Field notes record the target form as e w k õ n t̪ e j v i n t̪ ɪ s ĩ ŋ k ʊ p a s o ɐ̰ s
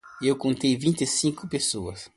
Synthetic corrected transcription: e w k õ n t̪ e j v ĩ n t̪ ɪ s ĩ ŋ k ʊ p e s o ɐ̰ s